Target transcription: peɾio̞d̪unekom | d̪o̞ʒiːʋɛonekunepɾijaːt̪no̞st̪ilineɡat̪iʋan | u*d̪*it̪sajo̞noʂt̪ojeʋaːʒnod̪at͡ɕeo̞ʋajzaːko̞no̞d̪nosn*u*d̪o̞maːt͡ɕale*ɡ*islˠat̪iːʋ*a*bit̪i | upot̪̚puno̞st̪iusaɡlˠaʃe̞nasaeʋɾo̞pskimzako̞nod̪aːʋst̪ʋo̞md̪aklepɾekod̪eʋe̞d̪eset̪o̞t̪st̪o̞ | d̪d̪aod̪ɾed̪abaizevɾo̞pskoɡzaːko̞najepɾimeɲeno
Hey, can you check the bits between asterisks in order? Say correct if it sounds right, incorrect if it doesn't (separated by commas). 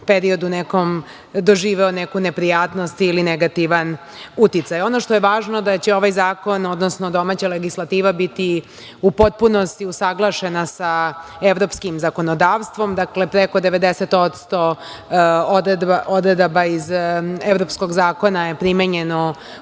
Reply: incorrect, incorrect, correct, correct